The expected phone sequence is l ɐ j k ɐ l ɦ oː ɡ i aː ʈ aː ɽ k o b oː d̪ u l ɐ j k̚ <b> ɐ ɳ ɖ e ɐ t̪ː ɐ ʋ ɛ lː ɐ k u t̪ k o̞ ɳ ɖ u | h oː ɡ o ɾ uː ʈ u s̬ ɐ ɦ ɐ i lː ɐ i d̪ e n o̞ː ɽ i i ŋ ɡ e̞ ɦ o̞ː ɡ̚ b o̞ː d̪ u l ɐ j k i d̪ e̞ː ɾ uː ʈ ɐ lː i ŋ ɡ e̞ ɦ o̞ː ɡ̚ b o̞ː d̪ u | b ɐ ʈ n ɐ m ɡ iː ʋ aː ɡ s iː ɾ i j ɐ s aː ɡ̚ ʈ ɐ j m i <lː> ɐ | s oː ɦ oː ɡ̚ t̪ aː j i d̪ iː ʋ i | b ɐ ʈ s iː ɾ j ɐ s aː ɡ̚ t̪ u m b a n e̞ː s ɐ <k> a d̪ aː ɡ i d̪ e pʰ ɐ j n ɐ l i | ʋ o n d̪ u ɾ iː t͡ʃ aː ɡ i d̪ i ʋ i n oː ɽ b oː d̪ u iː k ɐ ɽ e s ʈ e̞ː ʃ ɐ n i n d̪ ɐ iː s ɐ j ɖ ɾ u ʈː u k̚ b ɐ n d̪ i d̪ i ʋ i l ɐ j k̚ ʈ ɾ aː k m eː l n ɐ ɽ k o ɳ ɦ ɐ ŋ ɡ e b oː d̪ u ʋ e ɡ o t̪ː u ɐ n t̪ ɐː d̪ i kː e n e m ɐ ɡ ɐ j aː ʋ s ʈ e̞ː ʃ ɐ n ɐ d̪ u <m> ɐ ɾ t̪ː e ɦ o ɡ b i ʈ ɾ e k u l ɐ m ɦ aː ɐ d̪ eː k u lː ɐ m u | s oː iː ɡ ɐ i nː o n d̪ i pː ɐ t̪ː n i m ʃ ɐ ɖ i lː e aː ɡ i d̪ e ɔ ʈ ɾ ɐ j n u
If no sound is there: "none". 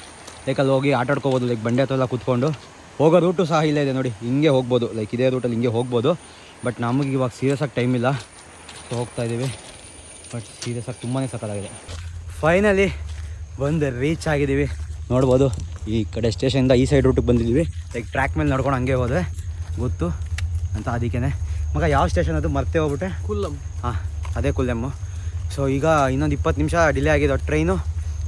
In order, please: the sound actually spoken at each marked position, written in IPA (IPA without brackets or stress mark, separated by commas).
b, lː, k, m